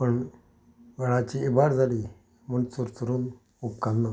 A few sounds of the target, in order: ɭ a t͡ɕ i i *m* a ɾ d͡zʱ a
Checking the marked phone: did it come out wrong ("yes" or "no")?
yes